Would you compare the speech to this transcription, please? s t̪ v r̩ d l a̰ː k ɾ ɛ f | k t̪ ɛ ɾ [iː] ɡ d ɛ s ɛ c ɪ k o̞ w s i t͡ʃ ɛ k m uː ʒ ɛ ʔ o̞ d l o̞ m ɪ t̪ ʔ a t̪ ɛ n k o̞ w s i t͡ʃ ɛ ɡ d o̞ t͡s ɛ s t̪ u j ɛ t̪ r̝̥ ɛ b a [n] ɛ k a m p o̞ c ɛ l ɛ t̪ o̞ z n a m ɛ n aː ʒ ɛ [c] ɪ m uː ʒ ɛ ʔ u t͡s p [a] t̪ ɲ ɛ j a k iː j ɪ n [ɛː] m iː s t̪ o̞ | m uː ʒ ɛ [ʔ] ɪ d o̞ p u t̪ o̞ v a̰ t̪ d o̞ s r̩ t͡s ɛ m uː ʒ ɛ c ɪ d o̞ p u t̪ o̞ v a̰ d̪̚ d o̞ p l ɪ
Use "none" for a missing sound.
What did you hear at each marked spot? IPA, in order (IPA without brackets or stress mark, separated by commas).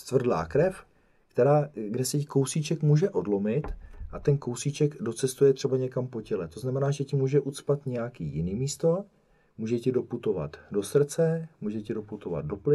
aː, ɲ, c, a, iː, c